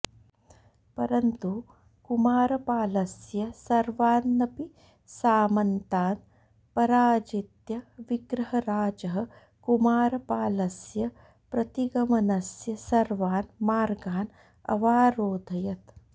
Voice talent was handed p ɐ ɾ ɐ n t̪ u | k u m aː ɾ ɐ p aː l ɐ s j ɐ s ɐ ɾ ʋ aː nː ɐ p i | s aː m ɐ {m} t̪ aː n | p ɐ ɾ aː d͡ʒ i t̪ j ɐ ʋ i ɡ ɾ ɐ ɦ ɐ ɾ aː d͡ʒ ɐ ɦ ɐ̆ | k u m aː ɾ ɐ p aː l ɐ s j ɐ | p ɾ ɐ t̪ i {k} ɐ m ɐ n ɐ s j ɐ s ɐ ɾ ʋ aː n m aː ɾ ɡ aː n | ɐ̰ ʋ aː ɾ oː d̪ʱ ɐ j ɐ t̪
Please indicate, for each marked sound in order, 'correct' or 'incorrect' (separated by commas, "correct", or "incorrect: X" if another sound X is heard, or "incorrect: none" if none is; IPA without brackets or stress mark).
incorrect: n, incorrect: ɡ